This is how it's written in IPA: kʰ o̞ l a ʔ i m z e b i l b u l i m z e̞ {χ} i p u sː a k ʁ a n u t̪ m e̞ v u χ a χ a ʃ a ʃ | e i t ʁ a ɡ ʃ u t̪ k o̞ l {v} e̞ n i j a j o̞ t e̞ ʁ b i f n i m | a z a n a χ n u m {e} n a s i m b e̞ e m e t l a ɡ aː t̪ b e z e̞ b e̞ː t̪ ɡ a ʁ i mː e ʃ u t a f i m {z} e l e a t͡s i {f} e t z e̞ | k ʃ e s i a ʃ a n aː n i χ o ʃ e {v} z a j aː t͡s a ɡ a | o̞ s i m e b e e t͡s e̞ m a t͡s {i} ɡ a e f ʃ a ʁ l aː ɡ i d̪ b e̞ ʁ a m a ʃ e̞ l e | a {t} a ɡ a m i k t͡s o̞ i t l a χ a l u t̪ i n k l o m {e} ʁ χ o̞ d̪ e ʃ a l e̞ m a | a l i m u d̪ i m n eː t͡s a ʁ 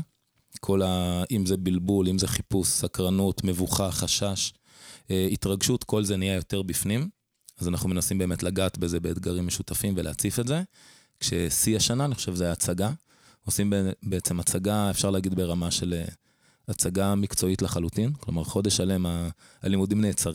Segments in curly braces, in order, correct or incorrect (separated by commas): correct, incorrect, correct, incorrect, correct, correct, incorrect, incorrect, incorrect